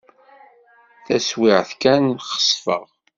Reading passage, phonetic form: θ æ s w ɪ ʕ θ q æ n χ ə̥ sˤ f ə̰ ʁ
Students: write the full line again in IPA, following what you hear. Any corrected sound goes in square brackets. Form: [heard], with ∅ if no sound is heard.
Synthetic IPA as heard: θ æ s w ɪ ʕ θ [k] æ n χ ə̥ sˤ f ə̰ ʁ